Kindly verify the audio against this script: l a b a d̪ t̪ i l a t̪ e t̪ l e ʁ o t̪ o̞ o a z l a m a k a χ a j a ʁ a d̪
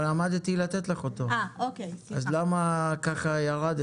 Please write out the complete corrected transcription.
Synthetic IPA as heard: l a m a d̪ t̪ i l a t̪ e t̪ l e χ o t̪ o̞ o a z l a m a k a χ a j a ʁ a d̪